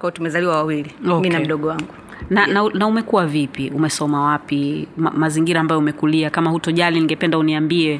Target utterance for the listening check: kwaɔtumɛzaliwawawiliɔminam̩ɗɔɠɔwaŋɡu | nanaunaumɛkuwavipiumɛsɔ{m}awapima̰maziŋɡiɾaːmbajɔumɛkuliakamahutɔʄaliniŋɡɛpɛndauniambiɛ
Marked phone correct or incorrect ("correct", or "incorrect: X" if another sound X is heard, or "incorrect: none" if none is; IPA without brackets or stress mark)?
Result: correct